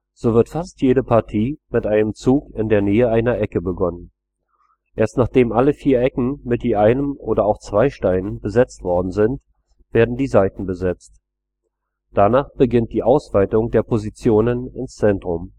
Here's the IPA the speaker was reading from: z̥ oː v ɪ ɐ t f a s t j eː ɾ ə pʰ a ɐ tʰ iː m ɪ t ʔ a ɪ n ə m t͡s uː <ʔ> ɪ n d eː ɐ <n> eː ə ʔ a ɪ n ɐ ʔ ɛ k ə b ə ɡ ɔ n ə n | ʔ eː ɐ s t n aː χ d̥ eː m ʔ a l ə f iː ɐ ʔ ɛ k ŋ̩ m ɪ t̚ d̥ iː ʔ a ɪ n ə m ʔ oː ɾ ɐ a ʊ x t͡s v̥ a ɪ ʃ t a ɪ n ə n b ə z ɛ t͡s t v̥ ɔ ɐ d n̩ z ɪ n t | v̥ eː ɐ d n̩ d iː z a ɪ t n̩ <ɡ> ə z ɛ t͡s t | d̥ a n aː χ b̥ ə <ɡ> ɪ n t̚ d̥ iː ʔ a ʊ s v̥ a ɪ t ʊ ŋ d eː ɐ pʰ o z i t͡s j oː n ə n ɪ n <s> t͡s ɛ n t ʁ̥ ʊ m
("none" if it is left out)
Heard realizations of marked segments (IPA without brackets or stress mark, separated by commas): k, n, b, ɡ, s